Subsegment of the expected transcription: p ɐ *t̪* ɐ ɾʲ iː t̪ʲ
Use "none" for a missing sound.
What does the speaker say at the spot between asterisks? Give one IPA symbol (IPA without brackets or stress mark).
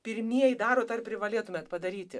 d̪